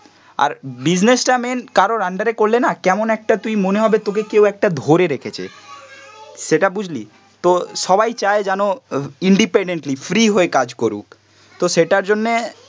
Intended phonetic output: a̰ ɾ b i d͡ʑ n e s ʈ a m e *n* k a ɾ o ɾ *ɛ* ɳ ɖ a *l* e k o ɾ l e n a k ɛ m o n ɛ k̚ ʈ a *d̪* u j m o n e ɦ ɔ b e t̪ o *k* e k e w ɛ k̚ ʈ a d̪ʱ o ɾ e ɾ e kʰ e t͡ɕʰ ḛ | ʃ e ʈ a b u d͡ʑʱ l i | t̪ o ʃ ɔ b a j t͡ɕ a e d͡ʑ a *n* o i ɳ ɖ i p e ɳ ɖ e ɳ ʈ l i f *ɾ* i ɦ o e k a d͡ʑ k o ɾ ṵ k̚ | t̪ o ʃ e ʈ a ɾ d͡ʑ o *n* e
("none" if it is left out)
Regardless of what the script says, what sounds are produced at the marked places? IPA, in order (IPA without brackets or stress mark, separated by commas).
n, a, ɾ, t̪, k, n, ɾ, nː